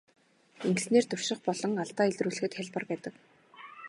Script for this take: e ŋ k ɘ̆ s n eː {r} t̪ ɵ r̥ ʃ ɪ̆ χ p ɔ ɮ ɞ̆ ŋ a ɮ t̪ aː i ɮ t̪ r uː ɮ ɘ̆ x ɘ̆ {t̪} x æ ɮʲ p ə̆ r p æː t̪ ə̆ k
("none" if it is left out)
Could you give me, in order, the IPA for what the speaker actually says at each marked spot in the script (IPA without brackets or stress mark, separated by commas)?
r, t̪